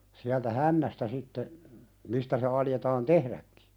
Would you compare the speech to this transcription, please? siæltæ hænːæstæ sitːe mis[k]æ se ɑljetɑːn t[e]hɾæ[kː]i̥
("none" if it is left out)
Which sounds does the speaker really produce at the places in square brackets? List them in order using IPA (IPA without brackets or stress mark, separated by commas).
t, e, kː